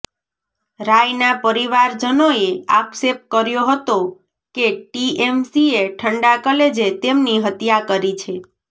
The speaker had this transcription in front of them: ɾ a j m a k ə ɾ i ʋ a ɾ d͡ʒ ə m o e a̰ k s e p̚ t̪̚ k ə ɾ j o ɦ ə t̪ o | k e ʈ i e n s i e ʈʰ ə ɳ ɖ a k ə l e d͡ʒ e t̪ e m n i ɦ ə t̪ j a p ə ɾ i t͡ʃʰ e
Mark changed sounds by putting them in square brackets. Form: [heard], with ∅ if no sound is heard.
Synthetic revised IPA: ɾ a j [n] a [p] ə ɾ i ʋ a ɾ d͡ʒ ə [n] o e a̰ k s e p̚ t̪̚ k ə ɾ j o ɦ ə t̪ o | k e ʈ i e [m] s i e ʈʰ ə ɳ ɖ a k ə l e d͡ʒ e t̪ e m n i ɦ ə t̪ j a [k] ə ɾ i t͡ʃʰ e

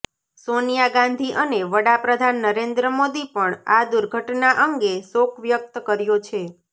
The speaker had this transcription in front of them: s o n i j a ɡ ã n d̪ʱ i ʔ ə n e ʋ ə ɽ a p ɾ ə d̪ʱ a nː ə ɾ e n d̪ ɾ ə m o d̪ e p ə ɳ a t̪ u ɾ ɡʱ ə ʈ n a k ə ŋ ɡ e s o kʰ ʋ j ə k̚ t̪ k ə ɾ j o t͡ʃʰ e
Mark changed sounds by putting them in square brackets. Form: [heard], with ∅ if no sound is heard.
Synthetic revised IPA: s o n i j a ɡ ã n d̪ʱ i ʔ ə n e ʋ ə ɽ a p ɾ ə d̪ʱ a nː ə ɾ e n d̪ ɾ ə m o d̪ [i] p ə ɳ a [d̪] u ɾ ɡʱ ə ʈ n a [ʔ] ə ŋ ɡ e s o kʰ ʋ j ə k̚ t̪ k ə ɾ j o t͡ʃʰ e

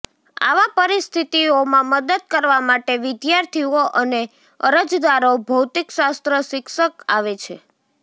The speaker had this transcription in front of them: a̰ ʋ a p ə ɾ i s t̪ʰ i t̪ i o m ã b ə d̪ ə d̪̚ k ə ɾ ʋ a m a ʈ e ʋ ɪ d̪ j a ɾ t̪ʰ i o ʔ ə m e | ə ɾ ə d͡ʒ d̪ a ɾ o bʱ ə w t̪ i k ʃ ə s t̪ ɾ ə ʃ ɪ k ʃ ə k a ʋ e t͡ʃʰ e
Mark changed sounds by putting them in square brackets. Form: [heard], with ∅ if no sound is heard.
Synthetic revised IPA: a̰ ʋ a p ə ɾ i s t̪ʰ i t̪ i o m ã [m] ə d̪ ə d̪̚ k ə ɾ ʋ a m a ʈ e ʋ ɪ d̪ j a ɾ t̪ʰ i o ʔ ə [n] e | ə ɾ ə d͡ʒ d̪ a ɾ o bʱ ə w t̪ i k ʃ [a] s t̪ ɾ ə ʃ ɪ k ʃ ə k a ʋ e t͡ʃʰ e

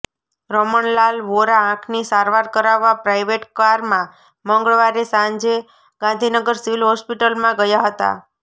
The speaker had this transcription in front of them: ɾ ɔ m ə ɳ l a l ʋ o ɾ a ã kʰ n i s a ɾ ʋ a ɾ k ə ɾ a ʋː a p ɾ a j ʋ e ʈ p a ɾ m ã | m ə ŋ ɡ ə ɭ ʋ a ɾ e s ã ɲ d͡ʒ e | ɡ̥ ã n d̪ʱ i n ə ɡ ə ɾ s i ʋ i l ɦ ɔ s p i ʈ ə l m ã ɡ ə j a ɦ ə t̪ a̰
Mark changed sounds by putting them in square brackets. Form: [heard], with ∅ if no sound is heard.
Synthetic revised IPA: ɾ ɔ m ə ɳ l a l ʋ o ɾ a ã kʰ n i s a ɾ ʋ a ɾ k ə ɾ a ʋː a p ɾ a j ʋ e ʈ [k] a ɾ m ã | m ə ŋ ɡ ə ɭ ʋ a ɾ e s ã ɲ d͡ʒ e | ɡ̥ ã n d̪ʱ i n ə ɡ ə ɾ s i ʋ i l ɦ ɔ s p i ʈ ə l m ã ɡ ə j a ɦ ə t̪ a̰

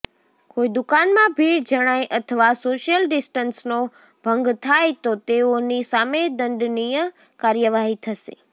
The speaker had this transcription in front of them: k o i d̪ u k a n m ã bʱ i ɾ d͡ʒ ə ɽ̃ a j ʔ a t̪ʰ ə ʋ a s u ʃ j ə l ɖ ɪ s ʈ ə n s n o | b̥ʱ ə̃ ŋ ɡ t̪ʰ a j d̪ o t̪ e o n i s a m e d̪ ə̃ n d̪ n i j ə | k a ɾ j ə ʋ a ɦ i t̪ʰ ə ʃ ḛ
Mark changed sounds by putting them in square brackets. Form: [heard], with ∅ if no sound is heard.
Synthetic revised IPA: k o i d̪ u k a n m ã bʱ i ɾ d͡ʒ ə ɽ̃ a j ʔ [ə] t̪ʰ ə ʋ a s [o] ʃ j ə l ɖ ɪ s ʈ ə n s n o | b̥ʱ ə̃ ŋ ɡ t̪ʰ a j [t̪] o t̪ e o n i s a m e d̪ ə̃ n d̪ n i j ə | k a ɾ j ə ʋ a ɦ i t̪ʰ ə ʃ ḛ

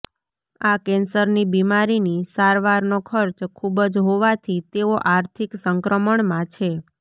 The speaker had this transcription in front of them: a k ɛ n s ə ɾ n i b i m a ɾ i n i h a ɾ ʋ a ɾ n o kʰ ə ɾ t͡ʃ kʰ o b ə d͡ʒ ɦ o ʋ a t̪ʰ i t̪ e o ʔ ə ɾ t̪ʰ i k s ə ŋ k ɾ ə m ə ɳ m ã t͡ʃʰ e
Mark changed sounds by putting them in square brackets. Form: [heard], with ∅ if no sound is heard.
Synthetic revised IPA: a k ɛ n s ə ɾ n i b i m a ɾ i n i [s] a ɾ ʋ a ɾ n o kʰ ə ɾ t͡ʃ kʰ [u] b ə d͡ʒ ɦ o ʋ a t̪ʰ i t̪ e o ʔ [a] ɾ t̪ʰ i k s ə ŋ k ɾ ə m ə ɳ m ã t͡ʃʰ e

